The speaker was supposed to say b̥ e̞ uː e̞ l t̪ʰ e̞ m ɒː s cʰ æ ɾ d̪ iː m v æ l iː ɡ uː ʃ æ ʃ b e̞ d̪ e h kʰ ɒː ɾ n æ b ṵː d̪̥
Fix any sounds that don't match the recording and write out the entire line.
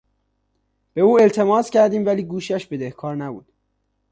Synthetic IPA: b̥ e̞ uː e̞ l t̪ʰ e̞ m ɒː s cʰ æ ɾ d̪ iː m v æ l iː ɡ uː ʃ æ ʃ b e̞ d̪ e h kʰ ɒː ɾ n æ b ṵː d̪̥

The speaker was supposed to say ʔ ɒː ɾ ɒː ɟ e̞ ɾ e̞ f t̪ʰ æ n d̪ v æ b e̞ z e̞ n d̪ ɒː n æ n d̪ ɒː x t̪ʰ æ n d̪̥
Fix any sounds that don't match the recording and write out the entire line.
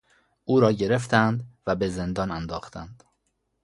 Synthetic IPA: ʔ uː ɾ ɒː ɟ e̞ ɾ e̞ f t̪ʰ æ n d̪ v æ b e̞ z e̞ n d̪ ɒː n æ n d̪ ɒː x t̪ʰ æ n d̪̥

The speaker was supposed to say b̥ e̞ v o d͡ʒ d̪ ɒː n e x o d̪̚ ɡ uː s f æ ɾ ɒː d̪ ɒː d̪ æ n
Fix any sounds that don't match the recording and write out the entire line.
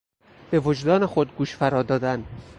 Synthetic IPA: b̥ e̞ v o d͡ʒ d̪ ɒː n e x o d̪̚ ɡ uː ʃ f æ ɾ ɒː d̪ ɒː d̪ æ n

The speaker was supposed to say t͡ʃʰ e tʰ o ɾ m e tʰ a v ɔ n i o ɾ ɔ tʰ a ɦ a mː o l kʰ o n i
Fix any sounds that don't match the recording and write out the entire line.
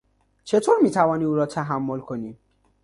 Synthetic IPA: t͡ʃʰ e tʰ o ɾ m i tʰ a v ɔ n i u ɾ ɔ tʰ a ɦ a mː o l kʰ o n i

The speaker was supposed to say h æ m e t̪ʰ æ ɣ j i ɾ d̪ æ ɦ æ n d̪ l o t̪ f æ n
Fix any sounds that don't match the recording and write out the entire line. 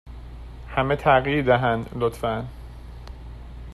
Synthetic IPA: h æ m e t̪ʰ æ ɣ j i ɾ d̪ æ ɦ æ n d̪ l o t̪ f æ n

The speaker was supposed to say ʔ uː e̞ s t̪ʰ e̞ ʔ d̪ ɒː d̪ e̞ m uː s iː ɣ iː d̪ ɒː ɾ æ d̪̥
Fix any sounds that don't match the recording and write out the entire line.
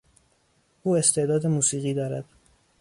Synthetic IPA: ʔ uː e̞ s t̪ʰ e̞ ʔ d̪ ɒː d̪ e̞ m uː s iː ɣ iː d̪ ɒː ɾ æ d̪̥

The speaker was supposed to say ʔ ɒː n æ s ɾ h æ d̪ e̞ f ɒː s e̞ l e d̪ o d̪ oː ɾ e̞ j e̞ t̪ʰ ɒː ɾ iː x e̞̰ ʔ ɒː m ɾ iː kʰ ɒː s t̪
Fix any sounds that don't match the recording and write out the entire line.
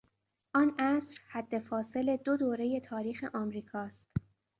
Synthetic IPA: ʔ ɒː n æ s ɾ h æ d̪ː e̞ f ɒː s e̞ l e d̪ o d̪ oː ɾ e̞ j e̞ t̪ʰ ɒː ɾ iː x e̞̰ ʔ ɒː m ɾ iː kʰ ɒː s t̪

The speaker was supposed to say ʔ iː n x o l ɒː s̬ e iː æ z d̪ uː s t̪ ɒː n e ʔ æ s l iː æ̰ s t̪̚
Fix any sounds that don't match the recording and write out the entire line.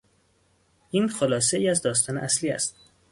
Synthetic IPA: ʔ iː n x o l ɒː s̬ e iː æ z d̪ ɒː s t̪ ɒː n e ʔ æ s l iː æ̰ s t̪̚

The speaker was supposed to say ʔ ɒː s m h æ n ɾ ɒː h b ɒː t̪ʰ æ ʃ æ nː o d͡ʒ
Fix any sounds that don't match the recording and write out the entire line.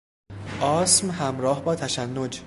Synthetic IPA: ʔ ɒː s m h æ m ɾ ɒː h b ɒː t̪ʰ æ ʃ æ nː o d͡ʒ

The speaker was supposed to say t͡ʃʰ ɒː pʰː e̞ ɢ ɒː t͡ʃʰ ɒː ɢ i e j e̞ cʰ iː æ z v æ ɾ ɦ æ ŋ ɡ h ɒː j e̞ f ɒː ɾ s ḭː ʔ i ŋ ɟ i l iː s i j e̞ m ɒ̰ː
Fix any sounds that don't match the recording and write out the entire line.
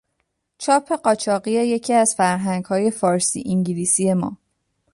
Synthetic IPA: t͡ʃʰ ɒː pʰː e̞ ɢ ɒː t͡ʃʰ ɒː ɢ i e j e̞ cʰ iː æ z f æ ɾ ɦ æ ŋ ɡ h ɒː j e̞ f ɒː ɾ s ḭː ʔ i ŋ ɟ i l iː s i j e̞ m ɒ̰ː

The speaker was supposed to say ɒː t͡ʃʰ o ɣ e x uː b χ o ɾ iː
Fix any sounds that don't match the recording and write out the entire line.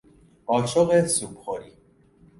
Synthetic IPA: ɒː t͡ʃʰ o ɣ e s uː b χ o ɾ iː

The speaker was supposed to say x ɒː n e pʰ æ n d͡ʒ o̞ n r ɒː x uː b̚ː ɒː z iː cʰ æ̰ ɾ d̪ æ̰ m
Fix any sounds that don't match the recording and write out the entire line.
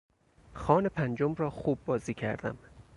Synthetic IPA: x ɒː n e pʰ æ n d͡ʒ o̞ m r ɒː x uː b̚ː ɒː z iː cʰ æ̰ ɾ d̪ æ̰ m

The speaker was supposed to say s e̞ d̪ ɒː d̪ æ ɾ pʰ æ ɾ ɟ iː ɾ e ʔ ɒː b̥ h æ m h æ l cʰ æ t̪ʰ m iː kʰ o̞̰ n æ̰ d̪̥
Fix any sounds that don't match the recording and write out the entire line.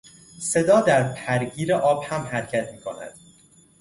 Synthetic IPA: s e̞ d̪ ɒː d̪ æ ɾ pʰ æ ɾ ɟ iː ɾ e ʔ ɒː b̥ h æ m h æ ɾ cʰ æ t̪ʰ m iː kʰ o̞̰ n æ̰ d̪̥

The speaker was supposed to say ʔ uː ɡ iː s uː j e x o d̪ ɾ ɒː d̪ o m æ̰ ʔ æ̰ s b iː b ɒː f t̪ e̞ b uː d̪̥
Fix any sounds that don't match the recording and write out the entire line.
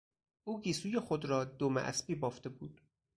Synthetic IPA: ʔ uː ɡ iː s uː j e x o d̪ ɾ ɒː d̪ o m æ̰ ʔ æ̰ s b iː b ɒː f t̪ e̞ b uː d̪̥

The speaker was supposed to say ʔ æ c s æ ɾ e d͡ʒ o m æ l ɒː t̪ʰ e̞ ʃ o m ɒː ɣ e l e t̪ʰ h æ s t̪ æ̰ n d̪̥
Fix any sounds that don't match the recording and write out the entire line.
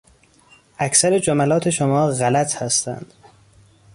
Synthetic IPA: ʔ æ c s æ ɾ e d͡ʒ o m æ l ɒː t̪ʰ e̞ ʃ o m ɒː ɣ æ l æ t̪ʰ h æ s t̪ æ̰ n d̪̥

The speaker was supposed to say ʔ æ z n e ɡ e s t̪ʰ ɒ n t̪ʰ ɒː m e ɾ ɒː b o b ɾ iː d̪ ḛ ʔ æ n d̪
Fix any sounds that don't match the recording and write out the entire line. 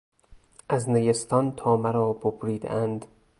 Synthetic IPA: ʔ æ z n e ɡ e s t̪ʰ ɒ n t̪ʰ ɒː m æ ɾ ɒː b o b ɾ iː d̪ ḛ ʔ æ n d̪

